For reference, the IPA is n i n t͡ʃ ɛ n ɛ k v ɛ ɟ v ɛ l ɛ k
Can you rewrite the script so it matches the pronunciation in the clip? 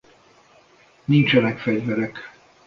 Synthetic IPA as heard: n i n t͡ʃ ɛ n ɛ k f ɛ ɟ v ɛ ɾ ɛ k